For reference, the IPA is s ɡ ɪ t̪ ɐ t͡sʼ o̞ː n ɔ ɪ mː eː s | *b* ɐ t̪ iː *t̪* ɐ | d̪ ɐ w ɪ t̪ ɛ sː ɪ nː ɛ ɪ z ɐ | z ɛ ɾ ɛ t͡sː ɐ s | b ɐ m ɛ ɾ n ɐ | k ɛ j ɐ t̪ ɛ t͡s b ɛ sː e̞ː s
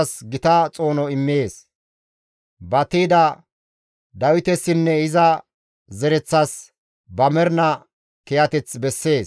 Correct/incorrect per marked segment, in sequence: correct, incorrect: d̪

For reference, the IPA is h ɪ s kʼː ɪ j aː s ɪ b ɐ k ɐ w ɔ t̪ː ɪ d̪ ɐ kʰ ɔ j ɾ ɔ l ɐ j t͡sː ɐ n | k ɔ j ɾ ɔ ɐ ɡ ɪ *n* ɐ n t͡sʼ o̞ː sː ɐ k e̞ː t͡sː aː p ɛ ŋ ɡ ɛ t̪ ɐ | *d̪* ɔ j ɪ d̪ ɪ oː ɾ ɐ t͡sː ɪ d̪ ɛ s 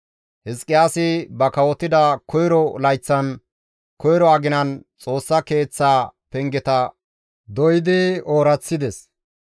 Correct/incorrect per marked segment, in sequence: correct, correct

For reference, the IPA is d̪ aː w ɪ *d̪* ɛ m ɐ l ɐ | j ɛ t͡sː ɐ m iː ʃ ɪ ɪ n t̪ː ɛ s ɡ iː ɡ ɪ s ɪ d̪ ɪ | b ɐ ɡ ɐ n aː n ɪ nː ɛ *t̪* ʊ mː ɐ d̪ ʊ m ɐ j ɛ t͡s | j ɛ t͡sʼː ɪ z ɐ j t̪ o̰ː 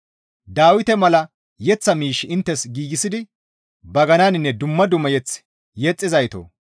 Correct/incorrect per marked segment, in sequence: incorrect: t̪, incorrect: d̪

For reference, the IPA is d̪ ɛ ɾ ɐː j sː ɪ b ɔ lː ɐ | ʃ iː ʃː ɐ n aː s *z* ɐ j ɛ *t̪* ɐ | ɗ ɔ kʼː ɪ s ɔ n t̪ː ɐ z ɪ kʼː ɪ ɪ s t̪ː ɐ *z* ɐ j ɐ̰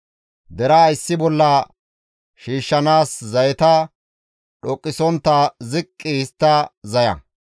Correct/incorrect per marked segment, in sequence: correct, correct, correct

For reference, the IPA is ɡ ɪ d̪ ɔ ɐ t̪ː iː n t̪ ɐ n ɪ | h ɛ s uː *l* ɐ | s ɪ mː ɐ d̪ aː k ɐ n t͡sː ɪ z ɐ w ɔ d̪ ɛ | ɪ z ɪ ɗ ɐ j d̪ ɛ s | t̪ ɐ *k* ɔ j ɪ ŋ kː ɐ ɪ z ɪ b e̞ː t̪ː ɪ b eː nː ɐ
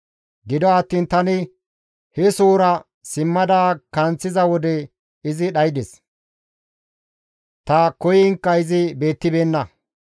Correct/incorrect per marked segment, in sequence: incorrect: ɾ, correct

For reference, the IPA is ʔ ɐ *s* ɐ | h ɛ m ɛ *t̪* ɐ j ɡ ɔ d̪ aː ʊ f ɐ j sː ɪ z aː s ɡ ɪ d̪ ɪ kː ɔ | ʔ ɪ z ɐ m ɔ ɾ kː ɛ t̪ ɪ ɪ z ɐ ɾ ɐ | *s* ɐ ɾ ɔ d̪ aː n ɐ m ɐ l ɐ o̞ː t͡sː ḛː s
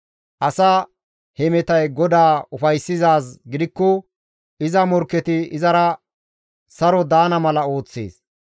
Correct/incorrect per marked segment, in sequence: correct, correct, correct

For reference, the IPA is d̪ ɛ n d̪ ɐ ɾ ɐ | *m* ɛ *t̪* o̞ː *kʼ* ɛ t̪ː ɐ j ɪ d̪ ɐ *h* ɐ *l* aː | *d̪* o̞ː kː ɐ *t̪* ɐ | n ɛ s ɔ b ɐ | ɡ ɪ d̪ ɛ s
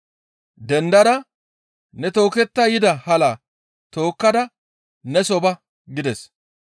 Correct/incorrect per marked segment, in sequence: incorrect: n, correct, incorrect: k, correct, correct, incorrect: t̪, incorrect: d̪

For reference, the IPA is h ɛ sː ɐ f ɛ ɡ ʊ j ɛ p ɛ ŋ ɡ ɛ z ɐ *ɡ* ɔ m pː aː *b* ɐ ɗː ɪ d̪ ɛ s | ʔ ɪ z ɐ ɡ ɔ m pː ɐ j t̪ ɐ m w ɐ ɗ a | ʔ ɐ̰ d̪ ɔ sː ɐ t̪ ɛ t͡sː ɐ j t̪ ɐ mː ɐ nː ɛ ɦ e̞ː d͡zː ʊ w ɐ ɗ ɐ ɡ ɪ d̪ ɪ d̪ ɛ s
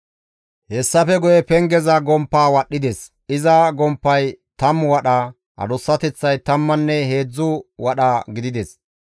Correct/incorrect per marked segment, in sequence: correct, incorrect: w

